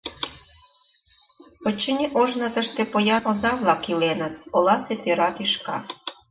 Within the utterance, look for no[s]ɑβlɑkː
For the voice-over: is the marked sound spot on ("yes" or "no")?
no